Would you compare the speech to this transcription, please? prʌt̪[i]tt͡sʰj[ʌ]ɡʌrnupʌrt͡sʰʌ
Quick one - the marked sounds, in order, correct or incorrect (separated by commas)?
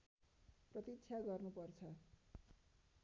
correct, incorrect